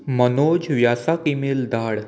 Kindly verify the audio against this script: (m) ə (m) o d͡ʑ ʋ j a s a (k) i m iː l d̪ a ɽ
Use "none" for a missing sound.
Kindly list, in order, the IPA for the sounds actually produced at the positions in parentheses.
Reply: m, n, k

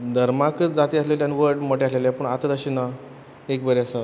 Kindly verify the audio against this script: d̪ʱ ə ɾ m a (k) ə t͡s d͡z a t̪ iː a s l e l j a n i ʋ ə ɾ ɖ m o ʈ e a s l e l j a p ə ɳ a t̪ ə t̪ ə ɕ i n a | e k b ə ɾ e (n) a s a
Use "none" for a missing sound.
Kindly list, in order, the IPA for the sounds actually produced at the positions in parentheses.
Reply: k, none

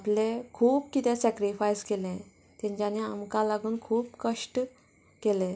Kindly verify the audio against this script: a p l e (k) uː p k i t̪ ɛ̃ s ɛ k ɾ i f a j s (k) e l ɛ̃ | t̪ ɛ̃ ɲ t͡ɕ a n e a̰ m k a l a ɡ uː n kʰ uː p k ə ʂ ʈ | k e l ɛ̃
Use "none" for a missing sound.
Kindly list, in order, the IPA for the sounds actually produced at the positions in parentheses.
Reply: kʰ, k

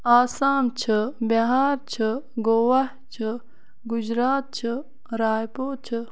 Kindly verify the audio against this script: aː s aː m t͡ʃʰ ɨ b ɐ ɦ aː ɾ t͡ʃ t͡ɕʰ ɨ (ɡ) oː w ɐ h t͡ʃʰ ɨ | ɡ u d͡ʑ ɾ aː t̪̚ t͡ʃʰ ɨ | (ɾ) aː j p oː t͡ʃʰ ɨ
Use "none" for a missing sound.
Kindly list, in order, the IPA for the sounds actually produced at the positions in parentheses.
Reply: ɡ, ɾ

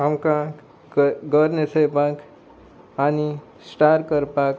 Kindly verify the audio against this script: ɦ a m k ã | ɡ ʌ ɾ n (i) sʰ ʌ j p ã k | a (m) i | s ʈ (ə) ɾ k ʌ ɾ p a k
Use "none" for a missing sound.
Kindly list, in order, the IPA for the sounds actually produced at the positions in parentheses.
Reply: e, n, a

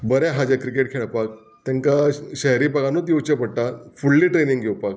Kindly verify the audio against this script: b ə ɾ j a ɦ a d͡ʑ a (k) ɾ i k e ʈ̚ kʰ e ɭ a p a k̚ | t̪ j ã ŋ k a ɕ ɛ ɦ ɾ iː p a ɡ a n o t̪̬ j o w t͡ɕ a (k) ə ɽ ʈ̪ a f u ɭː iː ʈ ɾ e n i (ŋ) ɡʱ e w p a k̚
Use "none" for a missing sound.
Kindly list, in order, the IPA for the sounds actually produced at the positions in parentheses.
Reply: k, p, ŋ

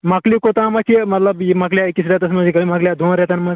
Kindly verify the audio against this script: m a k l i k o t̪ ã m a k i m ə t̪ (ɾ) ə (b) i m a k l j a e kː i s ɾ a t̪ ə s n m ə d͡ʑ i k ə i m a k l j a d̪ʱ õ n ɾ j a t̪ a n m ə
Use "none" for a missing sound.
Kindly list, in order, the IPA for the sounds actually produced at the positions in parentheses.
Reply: l, b

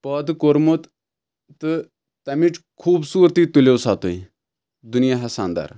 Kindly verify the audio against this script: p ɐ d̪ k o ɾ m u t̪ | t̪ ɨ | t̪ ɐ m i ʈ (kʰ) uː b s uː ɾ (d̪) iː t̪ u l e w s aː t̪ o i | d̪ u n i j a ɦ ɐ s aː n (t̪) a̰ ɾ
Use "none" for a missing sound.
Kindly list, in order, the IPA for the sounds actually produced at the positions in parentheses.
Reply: kʰ, t̪, d̪

